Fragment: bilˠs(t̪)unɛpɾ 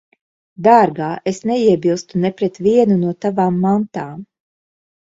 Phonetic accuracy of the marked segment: correct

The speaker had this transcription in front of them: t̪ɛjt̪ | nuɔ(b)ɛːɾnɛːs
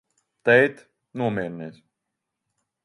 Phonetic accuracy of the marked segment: incorrect: m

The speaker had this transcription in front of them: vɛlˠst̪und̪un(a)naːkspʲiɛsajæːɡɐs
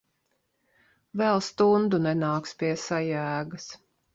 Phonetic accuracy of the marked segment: incorrect: ɛ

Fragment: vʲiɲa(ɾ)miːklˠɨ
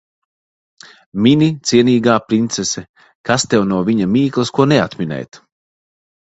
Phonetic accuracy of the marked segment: incorrect: none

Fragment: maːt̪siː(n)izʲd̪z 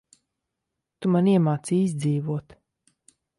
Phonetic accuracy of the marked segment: incorrect: none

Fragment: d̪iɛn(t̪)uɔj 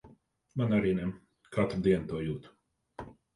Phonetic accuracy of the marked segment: correct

